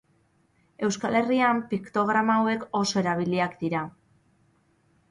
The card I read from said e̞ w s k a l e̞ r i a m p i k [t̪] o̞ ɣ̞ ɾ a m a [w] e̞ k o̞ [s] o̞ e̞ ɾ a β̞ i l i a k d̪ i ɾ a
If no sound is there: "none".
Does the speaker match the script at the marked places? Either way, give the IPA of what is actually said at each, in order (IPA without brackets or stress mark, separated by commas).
t̪, w, s